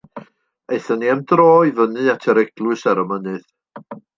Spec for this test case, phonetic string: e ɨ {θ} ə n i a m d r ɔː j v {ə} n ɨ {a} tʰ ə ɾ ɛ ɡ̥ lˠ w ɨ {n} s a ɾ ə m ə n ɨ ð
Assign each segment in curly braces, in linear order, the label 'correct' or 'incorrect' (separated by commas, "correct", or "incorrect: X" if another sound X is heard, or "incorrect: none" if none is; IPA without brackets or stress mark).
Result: correct, correct, correct, incorrect: none